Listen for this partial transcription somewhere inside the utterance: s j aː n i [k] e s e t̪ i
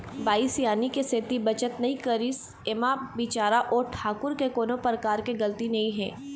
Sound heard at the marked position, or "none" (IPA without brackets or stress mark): k